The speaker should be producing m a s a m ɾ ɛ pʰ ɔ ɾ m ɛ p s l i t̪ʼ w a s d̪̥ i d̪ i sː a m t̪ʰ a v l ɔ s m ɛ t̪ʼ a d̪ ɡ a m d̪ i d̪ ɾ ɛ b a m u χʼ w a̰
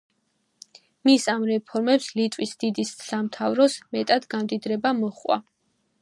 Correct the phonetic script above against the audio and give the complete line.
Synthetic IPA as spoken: m i s a m ɾ ɛ pʰ ɔ ɾ m ɛ p s l i t̪ʼ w i s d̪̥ i d̪ i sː a m t̪ʰ a v ɾ ɔ s m ɛ t̪ʼ a d̪ ɡ a m d̪ i d̪ ɾ ɛ b a m ɔ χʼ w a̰